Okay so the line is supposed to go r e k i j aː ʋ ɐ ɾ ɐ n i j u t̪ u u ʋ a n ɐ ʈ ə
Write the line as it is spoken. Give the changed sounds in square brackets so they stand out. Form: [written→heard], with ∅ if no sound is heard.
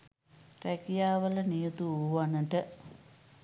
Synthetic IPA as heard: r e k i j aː ʋ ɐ [ɾ→l] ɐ n i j u t̪ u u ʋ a n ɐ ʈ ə